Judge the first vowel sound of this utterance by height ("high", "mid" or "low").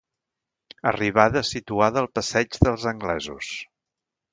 mid